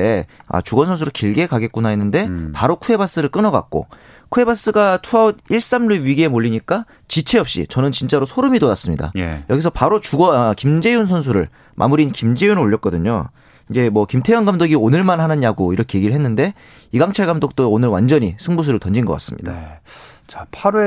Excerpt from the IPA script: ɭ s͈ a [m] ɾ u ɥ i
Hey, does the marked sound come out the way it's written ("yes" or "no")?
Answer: yes